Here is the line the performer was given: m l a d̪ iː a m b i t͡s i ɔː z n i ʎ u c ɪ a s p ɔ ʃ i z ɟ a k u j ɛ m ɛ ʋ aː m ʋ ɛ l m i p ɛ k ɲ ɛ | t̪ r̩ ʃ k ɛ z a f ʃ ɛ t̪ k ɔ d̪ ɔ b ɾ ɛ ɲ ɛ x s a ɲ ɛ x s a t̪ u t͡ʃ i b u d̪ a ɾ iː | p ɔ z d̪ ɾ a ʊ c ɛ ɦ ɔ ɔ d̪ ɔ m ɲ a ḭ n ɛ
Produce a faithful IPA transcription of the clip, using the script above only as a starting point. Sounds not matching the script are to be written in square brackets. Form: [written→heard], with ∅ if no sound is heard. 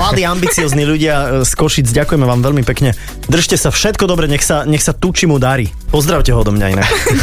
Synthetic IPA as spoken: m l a d̪ iː a m b i t͡s i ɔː z n i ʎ u [c→ɟ] ɪ a s [p→k] ɔ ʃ i [z→d͡z] ɟ a k u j ɛ m ɛ ʋ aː m ʋ ɛ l m i p ɛ k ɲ ɛ | [t̪→d̪] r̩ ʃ [k→c] ɛ [z→s] a f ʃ ɛ t̪ k ɔ d̪ ɔ b ɾ ɛ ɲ ɛ x s a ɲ ɛ x s a t̪ u t͡ʃ i [b→m] u d̪ a ɾ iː | p ɔ z d̪ ɾ a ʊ c ɛ ɦ ɔ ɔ d̪ ɔ m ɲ a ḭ n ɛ